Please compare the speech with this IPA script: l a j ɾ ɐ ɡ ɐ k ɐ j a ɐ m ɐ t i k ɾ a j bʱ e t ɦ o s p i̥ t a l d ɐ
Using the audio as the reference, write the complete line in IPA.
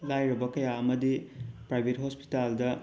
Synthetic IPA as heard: l a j ɾ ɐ b ɐ k ɐ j a ɐ m ɐ d i p ɾ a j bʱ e t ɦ o s p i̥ t a l d ɐ